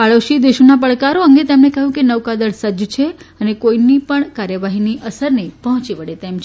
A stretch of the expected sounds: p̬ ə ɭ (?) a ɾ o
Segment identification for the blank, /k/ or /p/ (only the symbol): k